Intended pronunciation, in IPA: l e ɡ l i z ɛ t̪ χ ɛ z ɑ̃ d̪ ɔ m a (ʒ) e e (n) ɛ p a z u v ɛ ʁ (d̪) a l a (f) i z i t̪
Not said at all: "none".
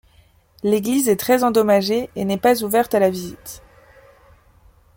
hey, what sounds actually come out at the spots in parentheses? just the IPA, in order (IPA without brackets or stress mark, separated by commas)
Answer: ʒ, n, t̪, v